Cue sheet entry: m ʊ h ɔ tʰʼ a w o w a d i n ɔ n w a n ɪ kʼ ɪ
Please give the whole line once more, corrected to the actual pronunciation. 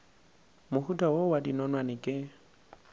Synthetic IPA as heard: m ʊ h u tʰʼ a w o w a d i n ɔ n w a n ɪ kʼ ɪ